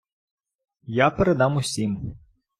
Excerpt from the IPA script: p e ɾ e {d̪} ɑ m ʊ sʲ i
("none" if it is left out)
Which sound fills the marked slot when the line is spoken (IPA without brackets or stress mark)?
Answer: d̪